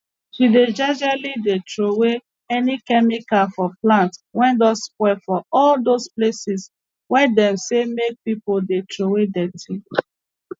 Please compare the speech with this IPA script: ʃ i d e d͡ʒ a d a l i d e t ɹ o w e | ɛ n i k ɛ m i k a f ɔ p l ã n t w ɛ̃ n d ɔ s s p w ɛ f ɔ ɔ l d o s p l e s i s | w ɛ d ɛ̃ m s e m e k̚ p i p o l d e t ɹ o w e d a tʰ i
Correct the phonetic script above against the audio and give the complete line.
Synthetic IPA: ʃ i d e d͡ʒ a d͡ʒ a l i d e t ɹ o w e | ɛ n i k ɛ m i k a f ɔ p l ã n t w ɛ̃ n d ɔ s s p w ɛ f ɔ ɔ l d o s p l e s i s | w ɛ d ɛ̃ m s e m e k̚ p i p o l d e t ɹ o w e d ɛ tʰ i